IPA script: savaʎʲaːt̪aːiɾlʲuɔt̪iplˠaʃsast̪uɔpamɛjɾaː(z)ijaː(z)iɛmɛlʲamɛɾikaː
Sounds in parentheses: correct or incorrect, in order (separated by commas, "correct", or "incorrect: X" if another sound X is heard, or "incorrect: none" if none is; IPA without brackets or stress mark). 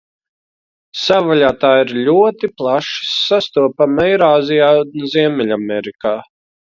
correct, correct